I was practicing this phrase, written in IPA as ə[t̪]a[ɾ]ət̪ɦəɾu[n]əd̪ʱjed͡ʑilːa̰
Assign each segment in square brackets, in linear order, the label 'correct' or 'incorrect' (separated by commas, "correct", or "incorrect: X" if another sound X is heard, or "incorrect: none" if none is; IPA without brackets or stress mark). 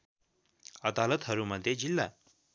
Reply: incorrect: d̪, incorrect: l, incorrect: m